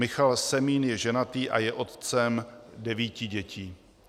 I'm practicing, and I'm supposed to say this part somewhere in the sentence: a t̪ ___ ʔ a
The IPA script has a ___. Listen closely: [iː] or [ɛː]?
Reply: iː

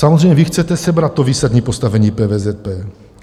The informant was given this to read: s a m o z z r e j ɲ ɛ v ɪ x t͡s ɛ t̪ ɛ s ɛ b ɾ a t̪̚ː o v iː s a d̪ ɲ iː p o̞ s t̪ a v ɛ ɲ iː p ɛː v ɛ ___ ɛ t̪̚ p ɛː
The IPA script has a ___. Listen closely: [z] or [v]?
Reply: z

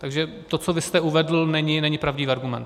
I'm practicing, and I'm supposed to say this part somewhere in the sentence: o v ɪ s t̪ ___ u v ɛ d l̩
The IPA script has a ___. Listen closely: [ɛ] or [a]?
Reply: ɛ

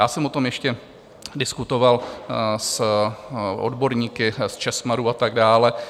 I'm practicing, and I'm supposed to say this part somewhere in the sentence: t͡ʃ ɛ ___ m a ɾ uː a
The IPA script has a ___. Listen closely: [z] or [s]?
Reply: s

